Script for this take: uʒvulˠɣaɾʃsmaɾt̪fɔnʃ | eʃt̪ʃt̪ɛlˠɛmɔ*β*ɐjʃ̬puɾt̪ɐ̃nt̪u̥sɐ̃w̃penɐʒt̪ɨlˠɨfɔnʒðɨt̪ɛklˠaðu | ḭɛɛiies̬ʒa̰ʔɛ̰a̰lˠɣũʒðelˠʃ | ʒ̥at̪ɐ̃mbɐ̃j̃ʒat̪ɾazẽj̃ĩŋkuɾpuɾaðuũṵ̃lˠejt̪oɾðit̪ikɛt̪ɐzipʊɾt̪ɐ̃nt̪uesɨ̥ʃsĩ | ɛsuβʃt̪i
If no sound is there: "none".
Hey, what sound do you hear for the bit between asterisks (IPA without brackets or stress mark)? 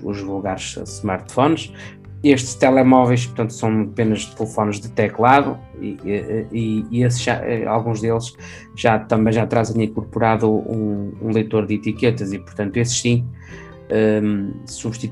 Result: v